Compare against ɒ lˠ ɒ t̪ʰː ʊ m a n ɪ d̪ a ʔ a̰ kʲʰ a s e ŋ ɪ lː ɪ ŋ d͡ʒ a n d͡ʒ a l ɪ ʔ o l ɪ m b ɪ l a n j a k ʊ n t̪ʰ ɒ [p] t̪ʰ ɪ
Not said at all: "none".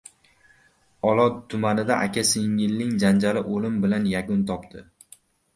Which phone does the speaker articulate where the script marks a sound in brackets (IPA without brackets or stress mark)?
p